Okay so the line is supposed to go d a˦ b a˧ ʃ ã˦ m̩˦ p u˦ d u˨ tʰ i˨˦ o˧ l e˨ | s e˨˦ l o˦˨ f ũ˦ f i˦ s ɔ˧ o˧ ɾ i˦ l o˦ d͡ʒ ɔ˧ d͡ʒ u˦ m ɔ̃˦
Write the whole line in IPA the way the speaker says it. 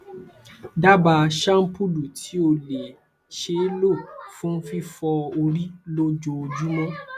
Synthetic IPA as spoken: d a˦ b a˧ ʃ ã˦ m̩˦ p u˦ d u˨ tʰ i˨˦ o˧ l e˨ | ʃ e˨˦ l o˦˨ f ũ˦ f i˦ f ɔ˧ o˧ ɾ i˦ l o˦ d͡ʒ o˧ d͡ʒ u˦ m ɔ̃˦